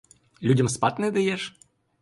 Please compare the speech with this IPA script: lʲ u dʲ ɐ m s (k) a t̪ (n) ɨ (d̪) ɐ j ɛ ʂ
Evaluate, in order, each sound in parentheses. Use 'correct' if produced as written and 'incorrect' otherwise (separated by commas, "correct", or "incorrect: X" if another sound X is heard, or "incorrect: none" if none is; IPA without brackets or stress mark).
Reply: incorrect: p, correct, correct